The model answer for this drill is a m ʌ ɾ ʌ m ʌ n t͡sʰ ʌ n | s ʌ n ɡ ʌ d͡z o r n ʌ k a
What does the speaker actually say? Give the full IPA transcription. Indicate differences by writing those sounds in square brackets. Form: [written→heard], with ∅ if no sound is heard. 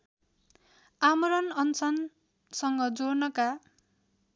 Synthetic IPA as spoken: a m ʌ ɾ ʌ [m→n] ʌ n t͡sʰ ʌ n | s ʌ [n→ŋ] ɡ ʌ d͡z o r n ʌ k a